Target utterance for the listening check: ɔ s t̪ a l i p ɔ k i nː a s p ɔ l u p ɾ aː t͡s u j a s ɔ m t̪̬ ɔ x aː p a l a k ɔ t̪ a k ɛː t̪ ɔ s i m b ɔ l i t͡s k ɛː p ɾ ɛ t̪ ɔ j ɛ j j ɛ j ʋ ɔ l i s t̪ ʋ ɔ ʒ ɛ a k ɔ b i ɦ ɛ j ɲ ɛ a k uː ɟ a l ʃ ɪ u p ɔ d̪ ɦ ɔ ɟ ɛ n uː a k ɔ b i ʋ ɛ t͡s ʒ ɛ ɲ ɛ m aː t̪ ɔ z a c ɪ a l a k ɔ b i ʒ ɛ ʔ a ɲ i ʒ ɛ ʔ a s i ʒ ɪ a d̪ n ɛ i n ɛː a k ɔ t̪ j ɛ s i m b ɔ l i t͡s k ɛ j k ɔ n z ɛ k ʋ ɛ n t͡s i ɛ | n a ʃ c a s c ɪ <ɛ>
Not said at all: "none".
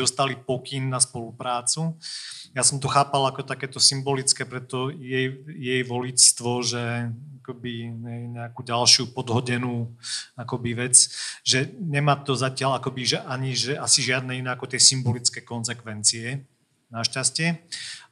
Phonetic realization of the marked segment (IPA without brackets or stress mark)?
ɛ